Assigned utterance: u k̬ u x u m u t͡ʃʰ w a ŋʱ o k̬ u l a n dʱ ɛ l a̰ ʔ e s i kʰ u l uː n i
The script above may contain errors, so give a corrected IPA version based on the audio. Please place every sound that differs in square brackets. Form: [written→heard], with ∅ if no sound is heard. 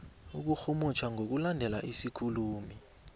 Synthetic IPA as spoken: u k̬ u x u m u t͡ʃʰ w a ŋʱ o k̬ u l a n dʱ ɛ l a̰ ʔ [e→i] s i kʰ u l uː [n→m] i

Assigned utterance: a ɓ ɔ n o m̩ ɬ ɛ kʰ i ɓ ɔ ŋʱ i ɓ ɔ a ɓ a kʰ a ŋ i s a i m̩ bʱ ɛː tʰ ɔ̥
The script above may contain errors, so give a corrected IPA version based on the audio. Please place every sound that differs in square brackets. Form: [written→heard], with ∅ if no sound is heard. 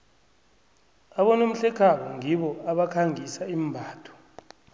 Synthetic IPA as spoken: a ɓ ɔ n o m̩ ɬ ɛ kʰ [i→a] ɓ ɔ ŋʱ i ɓ ɔ a ɓ a kʰ a ŋ i s a i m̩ bʱ [ɛː→aː] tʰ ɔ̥

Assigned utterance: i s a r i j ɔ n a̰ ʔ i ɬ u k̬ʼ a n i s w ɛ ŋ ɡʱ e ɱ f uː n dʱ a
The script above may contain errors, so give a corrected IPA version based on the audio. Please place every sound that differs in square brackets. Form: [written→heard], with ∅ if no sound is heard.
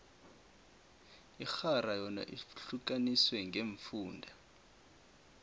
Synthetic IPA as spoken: i [s→x] a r [i→a] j ɔ n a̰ ʔ i ɬ u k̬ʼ a n i s w ɛ ŋ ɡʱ e ɱ f uː n dʱ a

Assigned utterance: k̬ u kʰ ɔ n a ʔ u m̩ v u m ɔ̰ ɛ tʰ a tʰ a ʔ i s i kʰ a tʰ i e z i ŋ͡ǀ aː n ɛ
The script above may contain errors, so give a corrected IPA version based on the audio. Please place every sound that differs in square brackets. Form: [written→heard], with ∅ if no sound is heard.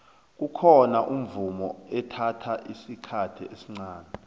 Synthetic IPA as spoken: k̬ u kʰ ɔ n a ʔ u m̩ v u m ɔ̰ ɛ tʰ a tʰ a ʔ i s i kʰ a tʰ i e [z→s] i ŋ͡ǀ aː n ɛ

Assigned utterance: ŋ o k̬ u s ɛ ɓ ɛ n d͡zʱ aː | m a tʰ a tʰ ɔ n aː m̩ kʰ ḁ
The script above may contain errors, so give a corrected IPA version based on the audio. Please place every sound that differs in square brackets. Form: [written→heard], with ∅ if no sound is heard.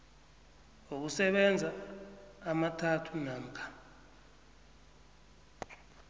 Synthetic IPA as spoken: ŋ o k̬ u s ɛ ɓ ɛ n d͡zʱ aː | m a tʰ a tʰ [ɔ→u] n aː m̩ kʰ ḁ

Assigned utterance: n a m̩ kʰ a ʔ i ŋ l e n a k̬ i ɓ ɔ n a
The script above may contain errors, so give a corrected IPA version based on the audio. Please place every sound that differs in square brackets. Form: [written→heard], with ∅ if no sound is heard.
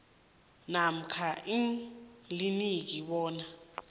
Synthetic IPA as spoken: n a m̩ kʰ a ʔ i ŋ l [e→i] n [a→i] k̬ i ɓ [ɔ→ɔː] n a

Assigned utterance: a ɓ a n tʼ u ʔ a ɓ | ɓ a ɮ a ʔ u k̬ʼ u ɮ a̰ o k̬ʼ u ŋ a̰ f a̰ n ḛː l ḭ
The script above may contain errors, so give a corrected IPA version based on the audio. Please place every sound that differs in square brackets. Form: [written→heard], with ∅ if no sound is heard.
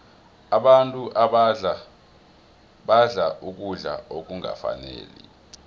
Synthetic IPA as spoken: a ɓ a n tʼ u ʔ a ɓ | ɓ a ɮ a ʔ u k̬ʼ u ɮ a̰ o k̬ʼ u ŋ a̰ f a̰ n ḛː l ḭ

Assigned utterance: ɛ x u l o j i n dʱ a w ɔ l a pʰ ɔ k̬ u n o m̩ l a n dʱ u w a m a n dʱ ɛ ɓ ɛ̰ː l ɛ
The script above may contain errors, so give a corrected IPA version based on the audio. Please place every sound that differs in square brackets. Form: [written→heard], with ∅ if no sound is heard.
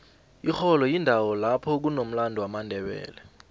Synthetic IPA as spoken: [ɛ→i] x [u→ɔ] l [o→ɔ] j i n dʱ a w ɔ l a pʰ ɔ k̬ u n o m̩ l a n dʱ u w a m a n dʱ ɛ ɓ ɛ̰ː l ɛ

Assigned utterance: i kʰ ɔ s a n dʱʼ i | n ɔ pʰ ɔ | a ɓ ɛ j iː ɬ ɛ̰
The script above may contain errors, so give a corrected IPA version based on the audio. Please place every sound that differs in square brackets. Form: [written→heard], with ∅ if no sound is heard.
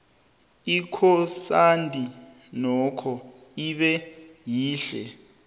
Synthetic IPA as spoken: i kʰ ɔ s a n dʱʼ i | n ɔ [pʰ→kʰ] ɔ | [a→i] ɓ ɛ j iː ɬ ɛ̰

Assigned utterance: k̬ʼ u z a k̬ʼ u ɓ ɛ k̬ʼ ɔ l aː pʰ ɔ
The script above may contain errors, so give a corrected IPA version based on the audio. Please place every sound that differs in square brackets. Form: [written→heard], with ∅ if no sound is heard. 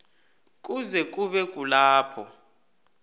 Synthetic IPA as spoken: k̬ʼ u z [a→ɛ] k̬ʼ u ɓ ɛ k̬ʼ [ɔ→u] l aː pʰ ɔ

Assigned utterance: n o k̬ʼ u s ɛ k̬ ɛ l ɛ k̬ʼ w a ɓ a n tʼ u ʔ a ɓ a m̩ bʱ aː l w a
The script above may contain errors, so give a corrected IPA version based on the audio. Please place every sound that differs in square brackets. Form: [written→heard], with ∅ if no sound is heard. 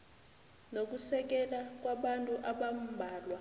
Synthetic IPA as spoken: n o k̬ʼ u s ɛ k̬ ɛ l [ɛ→a] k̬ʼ w a ɓ a n tʼ u ʔ a ɓ a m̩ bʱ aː l w a

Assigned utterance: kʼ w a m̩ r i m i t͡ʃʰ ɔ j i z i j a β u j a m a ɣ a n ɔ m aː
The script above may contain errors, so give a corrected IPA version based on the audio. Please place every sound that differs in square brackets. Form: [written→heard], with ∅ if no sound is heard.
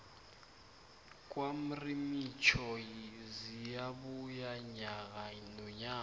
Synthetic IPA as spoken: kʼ w a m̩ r i m i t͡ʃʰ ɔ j i z i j a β u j a [m→ɲ] a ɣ a n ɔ [m→ɲ] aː

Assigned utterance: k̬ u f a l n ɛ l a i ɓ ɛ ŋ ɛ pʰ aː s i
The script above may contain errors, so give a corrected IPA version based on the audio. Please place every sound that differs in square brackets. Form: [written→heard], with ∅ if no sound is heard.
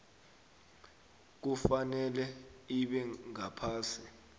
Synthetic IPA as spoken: k̬ u f a [l→∅] n ɛ l [a→ɛ] i ɓ ɛ ŋ [ɛ→a] pʰ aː s i

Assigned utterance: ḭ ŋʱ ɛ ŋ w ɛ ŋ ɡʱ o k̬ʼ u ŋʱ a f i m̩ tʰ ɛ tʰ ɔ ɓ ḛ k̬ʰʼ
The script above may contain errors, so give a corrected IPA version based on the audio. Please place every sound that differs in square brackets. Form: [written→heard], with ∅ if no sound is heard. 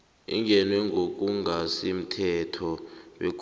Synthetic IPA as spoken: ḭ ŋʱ ɛ [ŋ→n] w ɛ ŋ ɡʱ o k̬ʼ u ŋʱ a [f→s] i m̩ tʰ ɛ tʰ ɔ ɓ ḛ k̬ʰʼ

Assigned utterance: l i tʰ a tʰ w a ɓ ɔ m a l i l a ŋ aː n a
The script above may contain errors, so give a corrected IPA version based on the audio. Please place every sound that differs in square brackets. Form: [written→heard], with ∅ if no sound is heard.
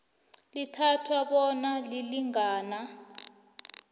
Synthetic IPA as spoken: l i tʰ a tʰ w a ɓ ɔ [m→n] a l i l [a→i] ŋ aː n a

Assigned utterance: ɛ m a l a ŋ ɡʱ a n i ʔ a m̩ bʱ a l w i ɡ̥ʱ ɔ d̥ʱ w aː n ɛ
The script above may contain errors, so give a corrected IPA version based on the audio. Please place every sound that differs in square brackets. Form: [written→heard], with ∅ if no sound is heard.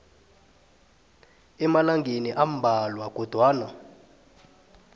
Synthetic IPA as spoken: ɛ m a l a ŋ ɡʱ [a→e] n i ʔ a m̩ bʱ a l w [i→a] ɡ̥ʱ ɔ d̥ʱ w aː n [ɛ→a]

